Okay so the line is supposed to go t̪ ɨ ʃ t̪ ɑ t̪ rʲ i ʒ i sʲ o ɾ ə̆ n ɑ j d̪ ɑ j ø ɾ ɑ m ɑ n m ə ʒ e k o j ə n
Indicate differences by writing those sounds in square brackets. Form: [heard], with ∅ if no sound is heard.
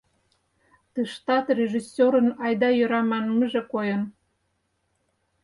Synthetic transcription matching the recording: t̪ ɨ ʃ t̪ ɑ t̪ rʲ [e] ʒ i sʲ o ɾ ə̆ n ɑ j d̪ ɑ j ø ɾ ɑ m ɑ n m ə ʒ e k o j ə n

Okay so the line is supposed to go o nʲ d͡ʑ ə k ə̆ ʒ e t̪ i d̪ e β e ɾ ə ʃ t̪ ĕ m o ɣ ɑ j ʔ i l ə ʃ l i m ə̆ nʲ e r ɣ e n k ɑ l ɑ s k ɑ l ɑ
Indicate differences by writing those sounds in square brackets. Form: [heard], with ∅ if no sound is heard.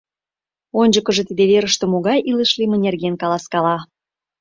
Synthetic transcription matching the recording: o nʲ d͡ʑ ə k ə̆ ʒ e t̪ i d̪ e β e ɾ ə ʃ t̪ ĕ m o ɣ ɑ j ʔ i l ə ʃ l i m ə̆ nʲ e r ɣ e n k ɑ l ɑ s k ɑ l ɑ

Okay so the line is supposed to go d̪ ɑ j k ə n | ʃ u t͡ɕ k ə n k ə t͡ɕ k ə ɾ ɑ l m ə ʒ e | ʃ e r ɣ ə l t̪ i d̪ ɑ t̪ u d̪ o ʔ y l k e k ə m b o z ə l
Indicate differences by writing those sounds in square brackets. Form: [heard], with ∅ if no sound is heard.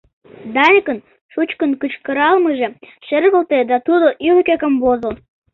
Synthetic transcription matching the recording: d̪ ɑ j k ə n | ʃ u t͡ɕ k ə n k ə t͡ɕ k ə ɾ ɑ l m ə ʒ e | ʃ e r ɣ ə l t̪ [e] d̪ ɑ t̪ u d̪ o ʔ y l k e k ə m b o z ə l

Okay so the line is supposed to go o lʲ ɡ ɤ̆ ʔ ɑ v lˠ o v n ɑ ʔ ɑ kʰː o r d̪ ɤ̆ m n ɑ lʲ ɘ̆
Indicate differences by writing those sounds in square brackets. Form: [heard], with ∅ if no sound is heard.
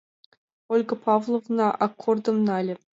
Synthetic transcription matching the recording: o lʲ ɡ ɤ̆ [p] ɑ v lˠ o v n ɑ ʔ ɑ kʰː o r d̪ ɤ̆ m n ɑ lʲ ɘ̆

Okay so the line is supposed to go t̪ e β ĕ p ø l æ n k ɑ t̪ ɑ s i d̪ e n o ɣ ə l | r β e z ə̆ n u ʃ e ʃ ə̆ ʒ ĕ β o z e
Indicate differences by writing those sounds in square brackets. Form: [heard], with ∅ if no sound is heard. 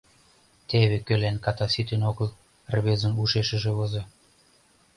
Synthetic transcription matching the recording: t̪ e β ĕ [k] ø l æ n k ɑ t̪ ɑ s i [t̪] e n o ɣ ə l | r β e z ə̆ n u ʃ e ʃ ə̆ ʒ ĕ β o z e

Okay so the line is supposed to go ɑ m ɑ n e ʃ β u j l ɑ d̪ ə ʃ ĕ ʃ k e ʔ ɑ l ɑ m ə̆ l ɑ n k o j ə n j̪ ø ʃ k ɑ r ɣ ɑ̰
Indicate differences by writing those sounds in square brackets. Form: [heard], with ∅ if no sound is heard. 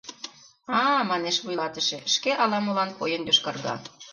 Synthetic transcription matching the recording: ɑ m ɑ n e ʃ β u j l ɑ [t̪] ə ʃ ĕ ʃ k e ʔ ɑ l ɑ m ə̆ l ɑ n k o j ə n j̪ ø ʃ k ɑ r ɣ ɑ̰

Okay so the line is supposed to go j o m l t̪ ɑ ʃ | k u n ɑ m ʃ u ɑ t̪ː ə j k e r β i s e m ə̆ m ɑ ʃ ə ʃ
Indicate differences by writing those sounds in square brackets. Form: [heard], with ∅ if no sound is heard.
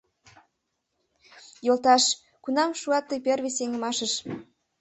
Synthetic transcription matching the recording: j o [∅] l t̪ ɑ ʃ | k u n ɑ m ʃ u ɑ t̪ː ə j [p] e r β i s e [ŋ] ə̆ m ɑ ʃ ə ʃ

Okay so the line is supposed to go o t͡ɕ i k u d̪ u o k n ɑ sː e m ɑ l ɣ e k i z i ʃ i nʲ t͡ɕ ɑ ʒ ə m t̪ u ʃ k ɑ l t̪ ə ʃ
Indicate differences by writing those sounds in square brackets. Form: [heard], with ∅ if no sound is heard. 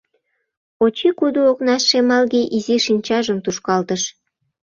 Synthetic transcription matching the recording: o t͡ɕ i k u d̪ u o k n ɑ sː e m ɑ l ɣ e [ʔ] i z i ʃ i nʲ t͡ɕ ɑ ʒ ə m t̪ u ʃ k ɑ l t̪ ə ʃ

